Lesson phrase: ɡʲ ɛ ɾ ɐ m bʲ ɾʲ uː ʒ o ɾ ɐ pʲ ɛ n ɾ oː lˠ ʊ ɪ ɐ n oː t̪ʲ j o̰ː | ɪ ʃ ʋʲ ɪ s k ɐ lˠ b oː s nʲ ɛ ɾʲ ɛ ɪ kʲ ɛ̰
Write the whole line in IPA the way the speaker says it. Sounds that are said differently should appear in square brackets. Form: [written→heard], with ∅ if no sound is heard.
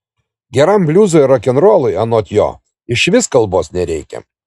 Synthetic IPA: ɡʲ ɛ ɾ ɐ m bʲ [ɾʲ→lʲ] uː [ʒ→z] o ɾ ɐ [pʲ→kʲ] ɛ n ɾ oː lˠ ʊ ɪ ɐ n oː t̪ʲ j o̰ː | ɪ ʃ ʋʲ ɪ s k ɐ lˠ b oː s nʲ ɛ ɾʲ ɛ ɪ kʲ ɛ̰